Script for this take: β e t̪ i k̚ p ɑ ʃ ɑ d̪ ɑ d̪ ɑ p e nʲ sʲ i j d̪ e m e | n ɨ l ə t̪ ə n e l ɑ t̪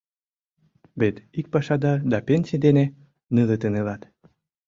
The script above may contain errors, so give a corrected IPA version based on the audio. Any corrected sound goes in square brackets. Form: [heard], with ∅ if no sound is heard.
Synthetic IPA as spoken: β e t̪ i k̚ p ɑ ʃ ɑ d̪ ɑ d̪ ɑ p e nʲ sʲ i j d̪ e [n] e | n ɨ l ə t̪ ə n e l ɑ t̪